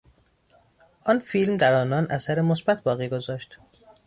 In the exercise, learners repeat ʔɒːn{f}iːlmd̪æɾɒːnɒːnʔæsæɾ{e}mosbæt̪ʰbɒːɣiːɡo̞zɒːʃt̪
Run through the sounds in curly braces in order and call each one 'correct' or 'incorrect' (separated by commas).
correct, correct